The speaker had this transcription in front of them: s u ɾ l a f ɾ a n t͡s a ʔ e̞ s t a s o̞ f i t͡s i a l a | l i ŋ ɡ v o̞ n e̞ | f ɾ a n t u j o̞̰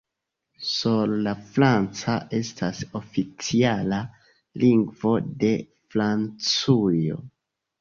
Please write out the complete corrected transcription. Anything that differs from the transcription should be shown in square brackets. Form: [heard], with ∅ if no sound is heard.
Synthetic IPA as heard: s u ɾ l a f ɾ a n t͡s a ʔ e̞ s t a s o̞ f i t͡s i a l a | l i ŋ ɡ v o̞ [d] e̞ | f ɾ a n [t͡s] u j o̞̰